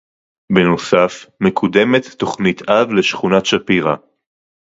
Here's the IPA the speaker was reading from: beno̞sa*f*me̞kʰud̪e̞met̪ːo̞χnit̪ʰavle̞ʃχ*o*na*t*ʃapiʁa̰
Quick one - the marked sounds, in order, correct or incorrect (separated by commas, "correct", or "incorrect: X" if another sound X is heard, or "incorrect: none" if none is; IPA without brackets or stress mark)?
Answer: correct, incorrect: u, correct